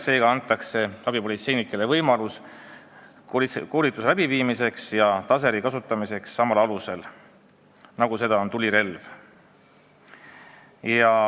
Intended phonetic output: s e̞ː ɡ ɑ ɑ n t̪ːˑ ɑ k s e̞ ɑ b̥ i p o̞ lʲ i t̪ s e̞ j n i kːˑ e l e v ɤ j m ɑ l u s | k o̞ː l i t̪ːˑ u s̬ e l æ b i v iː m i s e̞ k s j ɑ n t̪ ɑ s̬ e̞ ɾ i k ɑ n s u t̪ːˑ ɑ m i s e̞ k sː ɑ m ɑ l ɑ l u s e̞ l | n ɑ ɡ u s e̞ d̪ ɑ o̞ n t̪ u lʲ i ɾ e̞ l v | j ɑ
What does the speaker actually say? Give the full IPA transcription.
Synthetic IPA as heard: s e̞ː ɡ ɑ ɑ n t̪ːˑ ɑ k s e̞ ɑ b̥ i p o̞ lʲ i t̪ s e̞ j n i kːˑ e l e v ɤ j m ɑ l u s | k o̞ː l i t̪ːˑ u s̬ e l æ b i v iː m i s e̞ k s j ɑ t̪ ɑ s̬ e̞ ɾ i k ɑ s u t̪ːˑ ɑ m i s e̞ k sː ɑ m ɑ l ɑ l u s e̞ l | n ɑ ɡ u s e̞ d̪ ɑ o̞ n t̪ u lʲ i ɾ e̞ l v | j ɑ